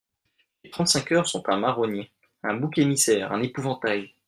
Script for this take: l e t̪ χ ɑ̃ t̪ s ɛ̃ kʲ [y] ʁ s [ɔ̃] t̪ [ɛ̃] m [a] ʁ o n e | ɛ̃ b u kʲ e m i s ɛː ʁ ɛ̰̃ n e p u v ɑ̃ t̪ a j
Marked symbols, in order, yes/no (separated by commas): no, yes, yes, yes